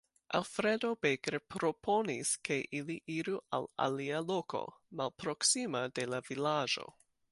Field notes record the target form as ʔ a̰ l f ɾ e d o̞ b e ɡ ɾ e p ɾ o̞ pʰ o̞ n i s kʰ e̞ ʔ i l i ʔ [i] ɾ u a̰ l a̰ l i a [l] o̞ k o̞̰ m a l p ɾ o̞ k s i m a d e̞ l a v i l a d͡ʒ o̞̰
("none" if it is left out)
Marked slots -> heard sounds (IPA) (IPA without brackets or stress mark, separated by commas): i, l